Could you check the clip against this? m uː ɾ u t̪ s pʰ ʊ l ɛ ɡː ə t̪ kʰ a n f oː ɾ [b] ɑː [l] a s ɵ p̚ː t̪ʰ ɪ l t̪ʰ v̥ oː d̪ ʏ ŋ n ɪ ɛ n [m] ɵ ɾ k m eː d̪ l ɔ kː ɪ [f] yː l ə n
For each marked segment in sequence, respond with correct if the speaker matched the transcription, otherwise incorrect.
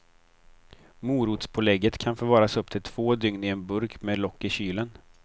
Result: incorrect, incorrect, incorrect, incorrect

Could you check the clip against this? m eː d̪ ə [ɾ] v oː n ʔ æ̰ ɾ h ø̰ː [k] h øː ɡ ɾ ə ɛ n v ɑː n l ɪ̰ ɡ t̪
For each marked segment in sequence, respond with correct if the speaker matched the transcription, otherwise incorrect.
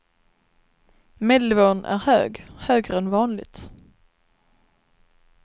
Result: incorrect, incorrect

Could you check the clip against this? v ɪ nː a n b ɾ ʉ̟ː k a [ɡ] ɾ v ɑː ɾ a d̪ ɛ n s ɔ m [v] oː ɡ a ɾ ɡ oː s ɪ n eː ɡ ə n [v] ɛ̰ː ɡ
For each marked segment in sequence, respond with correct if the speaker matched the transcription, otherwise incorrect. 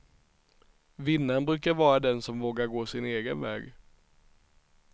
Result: incorrect, correct, correct

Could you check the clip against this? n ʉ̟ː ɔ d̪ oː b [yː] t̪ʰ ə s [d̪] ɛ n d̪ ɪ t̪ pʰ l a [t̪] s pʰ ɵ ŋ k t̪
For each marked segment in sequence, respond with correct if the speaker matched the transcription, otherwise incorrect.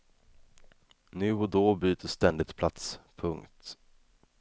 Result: correct, incorrect, correct

